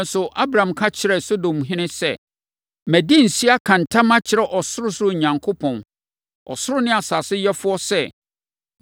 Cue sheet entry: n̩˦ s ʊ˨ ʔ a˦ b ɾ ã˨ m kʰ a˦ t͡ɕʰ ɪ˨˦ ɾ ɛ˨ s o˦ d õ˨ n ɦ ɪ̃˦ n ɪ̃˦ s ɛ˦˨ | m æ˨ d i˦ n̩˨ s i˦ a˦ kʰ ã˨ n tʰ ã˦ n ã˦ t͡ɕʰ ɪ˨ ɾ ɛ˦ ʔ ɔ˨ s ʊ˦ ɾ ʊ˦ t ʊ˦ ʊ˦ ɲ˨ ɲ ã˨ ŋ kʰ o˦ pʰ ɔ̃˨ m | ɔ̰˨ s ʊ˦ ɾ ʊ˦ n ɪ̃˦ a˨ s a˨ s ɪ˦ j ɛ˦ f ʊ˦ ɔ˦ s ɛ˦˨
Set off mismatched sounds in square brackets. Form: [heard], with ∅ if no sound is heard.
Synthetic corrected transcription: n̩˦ s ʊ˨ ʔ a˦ b ɾ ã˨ m kʰ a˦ t͡ɕʰ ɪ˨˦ ɾ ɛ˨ s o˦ d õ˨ [m] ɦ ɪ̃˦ n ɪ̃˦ s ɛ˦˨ | m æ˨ d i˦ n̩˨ s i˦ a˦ kʰ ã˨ n tʰ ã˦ [m] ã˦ t͡ɕʰ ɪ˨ ɾ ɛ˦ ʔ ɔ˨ s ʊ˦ ɾ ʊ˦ [s] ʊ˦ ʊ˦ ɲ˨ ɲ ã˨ ŋ kʰ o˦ pʰ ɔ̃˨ [n] | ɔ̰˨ s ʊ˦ ɾ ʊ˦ n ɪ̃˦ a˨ s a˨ s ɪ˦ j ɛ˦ f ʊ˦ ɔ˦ s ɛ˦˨